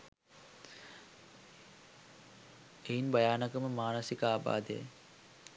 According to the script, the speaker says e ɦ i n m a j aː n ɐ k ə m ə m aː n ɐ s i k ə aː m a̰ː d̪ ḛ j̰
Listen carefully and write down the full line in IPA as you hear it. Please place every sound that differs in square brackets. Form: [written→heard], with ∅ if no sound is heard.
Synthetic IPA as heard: e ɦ i n [m→b] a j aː n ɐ k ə m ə m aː n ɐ s i k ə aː [m→b] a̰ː d̪ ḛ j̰